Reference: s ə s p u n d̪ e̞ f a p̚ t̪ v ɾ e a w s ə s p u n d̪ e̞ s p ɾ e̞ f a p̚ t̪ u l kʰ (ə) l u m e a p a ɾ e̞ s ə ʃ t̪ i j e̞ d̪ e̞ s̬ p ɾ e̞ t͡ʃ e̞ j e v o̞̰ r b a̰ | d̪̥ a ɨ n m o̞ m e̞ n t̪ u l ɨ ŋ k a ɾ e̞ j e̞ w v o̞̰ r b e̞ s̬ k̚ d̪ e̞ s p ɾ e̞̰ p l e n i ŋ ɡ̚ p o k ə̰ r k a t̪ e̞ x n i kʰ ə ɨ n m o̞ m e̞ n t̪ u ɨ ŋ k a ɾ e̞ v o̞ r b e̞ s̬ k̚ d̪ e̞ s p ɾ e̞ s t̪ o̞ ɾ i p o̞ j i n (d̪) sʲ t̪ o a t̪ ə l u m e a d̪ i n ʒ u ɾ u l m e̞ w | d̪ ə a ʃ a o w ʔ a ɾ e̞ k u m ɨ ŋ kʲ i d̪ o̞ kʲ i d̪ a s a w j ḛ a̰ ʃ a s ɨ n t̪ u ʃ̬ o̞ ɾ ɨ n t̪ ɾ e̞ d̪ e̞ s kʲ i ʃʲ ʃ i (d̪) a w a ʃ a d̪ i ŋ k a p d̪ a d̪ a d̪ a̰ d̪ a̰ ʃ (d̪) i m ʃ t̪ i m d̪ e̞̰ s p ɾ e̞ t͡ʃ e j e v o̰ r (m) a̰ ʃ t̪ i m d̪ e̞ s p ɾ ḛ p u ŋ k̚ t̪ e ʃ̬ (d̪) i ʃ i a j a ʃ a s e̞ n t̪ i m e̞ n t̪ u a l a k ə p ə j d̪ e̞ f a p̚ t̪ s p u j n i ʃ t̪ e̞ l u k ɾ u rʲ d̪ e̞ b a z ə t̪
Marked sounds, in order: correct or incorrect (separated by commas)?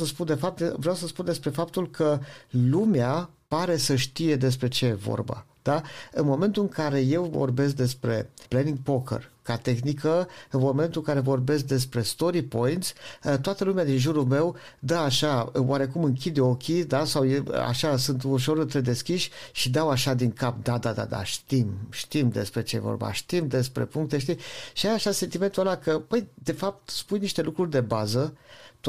correct, incorrect, correct, incorrect, incorrect, incorrect